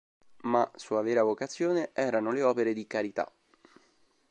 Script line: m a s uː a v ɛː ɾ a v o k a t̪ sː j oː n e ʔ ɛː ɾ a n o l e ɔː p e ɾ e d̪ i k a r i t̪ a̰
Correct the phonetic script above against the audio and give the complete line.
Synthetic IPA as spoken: m a s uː a v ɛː ɾ a v o k a t̪ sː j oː n e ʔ ɛː ɾ a n o l e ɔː p e ɾ e d̪ i k a ɾ i t̪ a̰